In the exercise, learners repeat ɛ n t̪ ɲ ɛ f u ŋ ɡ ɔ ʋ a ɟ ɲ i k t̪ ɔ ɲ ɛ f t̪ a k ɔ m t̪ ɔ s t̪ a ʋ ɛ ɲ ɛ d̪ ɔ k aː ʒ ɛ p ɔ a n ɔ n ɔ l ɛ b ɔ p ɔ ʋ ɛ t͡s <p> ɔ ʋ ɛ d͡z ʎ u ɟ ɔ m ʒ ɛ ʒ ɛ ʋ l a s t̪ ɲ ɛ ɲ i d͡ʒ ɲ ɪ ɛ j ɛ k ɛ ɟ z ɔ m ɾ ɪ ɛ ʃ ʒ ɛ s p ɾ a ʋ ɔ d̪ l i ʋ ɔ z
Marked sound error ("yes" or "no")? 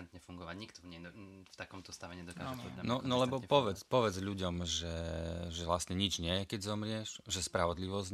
no